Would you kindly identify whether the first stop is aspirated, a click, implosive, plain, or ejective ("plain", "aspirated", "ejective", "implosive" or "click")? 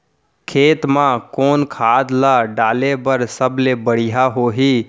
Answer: aspirated